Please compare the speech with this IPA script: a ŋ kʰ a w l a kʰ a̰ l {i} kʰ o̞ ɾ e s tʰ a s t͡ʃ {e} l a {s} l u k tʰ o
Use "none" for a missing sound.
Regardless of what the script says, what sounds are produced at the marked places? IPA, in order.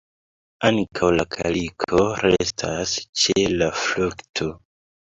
i, e, f

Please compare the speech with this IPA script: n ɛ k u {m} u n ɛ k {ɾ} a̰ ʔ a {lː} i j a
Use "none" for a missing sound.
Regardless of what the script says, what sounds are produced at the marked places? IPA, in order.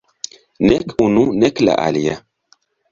n, l, l

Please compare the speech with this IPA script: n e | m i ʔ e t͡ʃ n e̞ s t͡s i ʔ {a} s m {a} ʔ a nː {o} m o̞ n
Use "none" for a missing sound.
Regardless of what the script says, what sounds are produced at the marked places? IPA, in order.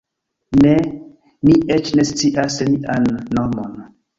a, i, o

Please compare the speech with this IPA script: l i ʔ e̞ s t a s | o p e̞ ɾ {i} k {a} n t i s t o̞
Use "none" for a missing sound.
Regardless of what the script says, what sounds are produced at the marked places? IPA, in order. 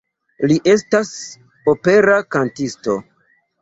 a, a

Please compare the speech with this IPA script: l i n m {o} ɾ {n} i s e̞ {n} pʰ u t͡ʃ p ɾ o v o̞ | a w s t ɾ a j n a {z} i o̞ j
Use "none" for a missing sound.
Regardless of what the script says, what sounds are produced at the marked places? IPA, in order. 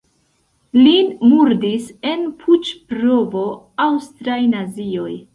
u, d, n, z

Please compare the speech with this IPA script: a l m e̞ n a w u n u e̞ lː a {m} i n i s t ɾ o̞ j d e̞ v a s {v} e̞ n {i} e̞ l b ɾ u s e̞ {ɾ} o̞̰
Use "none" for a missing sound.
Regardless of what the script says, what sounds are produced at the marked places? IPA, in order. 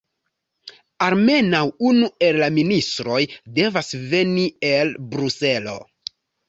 m, v, i, l

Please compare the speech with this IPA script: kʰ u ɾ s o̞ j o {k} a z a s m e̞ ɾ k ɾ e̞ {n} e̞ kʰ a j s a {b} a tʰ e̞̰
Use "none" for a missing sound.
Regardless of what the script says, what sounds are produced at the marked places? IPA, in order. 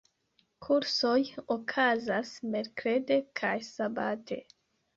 kʰ, d, b

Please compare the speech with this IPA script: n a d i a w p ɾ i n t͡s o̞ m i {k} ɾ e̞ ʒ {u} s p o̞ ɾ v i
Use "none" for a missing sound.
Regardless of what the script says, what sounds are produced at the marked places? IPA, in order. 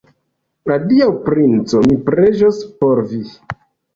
p, o

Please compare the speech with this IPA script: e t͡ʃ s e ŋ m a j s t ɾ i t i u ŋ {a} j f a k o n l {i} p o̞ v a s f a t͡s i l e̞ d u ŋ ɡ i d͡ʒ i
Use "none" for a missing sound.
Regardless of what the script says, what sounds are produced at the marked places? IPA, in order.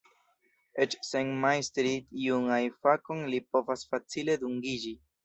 a, i

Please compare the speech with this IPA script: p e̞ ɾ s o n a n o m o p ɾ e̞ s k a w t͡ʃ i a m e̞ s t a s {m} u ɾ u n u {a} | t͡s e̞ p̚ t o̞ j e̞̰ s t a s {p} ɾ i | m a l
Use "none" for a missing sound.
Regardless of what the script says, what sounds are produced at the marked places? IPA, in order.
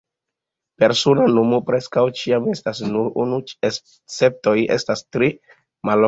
n, e, t

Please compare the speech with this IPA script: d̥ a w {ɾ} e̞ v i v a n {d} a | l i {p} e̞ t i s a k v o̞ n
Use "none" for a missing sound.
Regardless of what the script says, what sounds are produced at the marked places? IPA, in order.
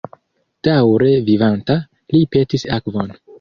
ɾ, t, p

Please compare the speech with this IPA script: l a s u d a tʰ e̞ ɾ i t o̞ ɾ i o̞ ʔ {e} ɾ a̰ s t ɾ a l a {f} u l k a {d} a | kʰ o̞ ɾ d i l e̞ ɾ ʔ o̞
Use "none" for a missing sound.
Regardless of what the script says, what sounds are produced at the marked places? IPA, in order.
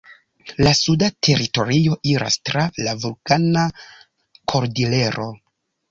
i, v, n

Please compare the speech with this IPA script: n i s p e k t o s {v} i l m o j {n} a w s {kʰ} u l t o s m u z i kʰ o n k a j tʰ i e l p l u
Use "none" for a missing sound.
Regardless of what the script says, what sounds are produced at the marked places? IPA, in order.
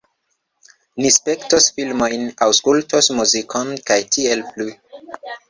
f, n, k

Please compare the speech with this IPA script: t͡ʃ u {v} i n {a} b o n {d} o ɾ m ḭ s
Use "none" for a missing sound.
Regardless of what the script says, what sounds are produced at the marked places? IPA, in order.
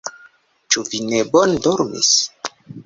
v, e, d

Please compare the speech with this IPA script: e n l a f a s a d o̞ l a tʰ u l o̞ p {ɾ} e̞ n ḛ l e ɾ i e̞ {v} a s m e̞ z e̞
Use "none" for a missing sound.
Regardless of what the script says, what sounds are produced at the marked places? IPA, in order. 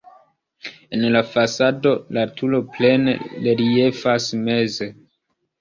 l, f

